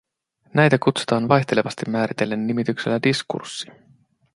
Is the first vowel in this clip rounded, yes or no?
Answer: no